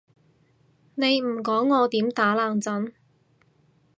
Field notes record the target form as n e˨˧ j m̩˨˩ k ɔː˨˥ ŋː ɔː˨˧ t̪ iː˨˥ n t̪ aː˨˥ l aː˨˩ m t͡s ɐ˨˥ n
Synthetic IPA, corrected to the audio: n e˨˧ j m̩˨˩ k ɔː˨˥ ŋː ɔː˨˧ t̪ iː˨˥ m t̪ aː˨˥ l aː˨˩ ŋ t͡s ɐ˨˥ n